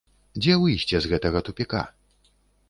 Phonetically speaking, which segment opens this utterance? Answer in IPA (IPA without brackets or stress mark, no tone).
d͡zʲ